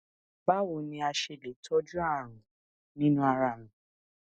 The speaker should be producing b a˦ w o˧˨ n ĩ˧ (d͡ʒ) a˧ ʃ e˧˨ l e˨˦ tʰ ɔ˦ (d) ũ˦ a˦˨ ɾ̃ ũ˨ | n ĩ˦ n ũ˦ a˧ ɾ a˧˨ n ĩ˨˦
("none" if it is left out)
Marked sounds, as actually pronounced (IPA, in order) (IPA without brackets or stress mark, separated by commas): none, d͡ʒ